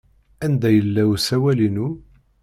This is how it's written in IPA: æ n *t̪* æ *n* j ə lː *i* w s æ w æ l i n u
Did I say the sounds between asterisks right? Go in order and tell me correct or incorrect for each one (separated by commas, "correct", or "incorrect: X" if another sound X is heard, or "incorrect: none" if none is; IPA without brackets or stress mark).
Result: incorrect: d̪, incorrect: none, incorrect: æ